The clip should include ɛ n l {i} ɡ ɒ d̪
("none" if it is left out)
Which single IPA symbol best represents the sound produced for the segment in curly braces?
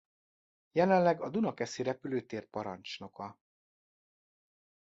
ɛ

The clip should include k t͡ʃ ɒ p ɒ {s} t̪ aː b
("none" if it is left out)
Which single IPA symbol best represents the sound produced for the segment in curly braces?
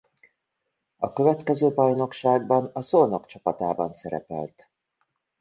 none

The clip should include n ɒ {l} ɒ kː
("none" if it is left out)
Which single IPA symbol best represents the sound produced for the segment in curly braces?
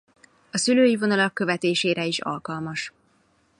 l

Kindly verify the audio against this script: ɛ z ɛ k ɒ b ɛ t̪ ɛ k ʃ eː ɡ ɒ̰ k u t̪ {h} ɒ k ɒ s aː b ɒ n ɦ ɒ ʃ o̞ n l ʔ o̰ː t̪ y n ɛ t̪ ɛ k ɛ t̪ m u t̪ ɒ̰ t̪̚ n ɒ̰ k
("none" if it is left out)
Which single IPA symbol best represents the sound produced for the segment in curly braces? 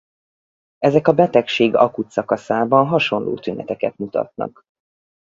s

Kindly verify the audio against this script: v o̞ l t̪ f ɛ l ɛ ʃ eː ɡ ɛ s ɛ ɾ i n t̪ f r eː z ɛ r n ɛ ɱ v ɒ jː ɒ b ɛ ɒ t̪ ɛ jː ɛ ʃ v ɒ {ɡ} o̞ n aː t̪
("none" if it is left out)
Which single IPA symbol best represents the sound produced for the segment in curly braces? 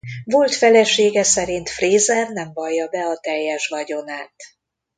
ɟ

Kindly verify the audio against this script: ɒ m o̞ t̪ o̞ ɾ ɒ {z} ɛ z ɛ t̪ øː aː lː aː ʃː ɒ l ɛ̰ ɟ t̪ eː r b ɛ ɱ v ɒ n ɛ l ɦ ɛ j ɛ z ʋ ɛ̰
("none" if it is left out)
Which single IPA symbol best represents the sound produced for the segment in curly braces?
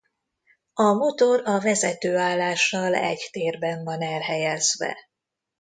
v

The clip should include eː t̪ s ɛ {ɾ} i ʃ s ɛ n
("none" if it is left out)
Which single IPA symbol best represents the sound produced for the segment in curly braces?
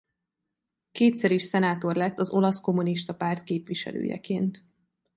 ɾ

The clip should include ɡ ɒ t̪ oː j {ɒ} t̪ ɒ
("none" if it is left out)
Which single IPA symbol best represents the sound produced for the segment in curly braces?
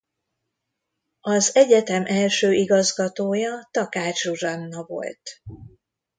ɒ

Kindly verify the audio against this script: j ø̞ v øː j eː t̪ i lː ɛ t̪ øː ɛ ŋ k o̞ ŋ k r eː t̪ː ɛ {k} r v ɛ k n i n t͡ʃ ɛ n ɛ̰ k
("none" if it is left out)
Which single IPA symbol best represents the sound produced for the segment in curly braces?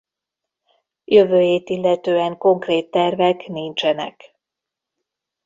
none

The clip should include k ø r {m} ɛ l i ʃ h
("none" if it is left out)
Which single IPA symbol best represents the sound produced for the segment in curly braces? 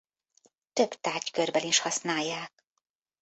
b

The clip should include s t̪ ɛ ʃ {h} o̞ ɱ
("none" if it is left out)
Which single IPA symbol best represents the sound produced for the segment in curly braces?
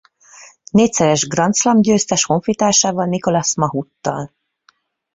h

